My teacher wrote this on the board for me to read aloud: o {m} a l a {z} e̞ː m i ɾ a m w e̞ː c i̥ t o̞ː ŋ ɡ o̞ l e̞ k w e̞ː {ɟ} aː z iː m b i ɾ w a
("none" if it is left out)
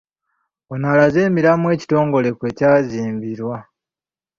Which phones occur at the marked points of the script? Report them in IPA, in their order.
n, z, c

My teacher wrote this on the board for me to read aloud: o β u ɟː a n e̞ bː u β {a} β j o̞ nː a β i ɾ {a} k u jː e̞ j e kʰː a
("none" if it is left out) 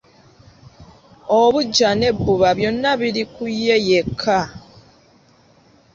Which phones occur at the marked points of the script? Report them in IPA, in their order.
a, i

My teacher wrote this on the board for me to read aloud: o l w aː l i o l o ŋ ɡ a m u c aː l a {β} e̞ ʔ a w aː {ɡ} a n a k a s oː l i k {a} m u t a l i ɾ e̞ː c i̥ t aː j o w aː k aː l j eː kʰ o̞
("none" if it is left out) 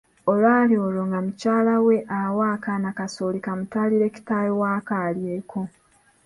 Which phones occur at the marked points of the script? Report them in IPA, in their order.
w, k, a

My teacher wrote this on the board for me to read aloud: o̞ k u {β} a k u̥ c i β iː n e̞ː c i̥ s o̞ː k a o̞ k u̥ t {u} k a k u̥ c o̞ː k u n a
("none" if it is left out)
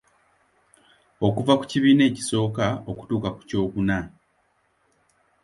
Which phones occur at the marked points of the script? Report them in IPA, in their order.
v, uː

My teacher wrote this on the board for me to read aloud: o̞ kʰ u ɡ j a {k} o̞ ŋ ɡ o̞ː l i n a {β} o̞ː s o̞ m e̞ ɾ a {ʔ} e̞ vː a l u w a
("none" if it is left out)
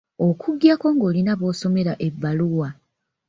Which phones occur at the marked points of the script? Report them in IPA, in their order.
k, β, ʔ

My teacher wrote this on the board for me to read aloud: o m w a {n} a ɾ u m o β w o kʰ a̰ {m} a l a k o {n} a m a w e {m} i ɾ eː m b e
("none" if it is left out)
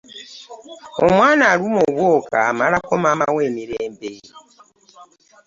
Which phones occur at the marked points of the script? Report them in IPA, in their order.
n, m, m, m

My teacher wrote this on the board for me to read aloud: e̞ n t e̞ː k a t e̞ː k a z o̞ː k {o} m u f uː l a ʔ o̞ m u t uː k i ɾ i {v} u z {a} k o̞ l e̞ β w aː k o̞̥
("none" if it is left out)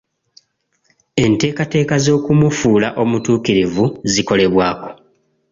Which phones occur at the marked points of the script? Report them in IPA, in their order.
u, v, i

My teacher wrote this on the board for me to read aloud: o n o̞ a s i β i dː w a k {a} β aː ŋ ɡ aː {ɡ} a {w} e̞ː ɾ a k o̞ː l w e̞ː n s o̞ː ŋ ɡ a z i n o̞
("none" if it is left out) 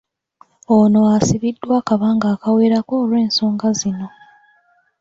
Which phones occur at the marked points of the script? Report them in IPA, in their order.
a, k, w

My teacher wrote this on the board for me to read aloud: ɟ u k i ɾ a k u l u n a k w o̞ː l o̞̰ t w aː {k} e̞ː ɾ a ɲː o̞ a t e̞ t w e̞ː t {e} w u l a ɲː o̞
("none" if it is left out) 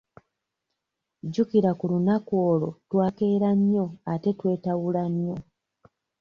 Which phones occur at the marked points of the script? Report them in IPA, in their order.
k, a

